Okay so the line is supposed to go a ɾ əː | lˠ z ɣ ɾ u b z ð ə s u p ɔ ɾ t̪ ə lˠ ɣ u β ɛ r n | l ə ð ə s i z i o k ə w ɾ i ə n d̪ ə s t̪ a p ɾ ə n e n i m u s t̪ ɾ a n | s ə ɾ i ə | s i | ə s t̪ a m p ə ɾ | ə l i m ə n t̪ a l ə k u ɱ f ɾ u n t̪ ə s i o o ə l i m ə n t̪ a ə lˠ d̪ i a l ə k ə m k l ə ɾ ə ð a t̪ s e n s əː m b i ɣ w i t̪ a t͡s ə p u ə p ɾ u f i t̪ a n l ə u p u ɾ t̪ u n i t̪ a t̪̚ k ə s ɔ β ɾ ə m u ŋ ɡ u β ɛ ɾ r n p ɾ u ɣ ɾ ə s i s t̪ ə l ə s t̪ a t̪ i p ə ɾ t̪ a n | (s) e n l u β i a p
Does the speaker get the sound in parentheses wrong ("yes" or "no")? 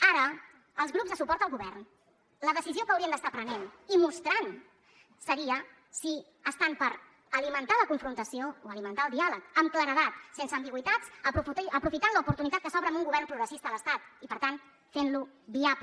yes